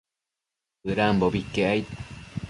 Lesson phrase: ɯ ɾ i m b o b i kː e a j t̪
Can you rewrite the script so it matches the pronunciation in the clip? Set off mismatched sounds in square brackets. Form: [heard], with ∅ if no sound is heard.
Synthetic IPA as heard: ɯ ɾ [a] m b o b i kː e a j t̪